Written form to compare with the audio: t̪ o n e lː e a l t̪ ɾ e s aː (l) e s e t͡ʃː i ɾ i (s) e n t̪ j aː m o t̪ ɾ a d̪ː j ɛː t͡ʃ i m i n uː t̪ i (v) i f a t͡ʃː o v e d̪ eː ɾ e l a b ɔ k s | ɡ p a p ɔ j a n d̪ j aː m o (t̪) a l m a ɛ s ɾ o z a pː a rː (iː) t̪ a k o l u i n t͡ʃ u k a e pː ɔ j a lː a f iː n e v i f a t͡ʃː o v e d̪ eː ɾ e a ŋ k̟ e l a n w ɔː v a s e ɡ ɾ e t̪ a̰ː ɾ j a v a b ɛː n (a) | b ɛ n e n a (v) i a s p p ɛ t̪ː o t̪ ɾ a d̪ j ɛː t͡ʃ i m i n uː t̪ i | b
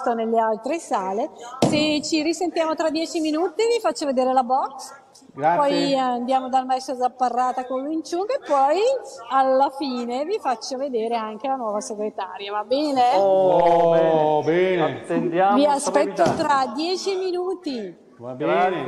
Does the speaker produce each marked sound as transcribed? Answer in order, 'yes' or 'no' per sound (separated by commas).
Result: yes, yes, yes, no, no, no, yes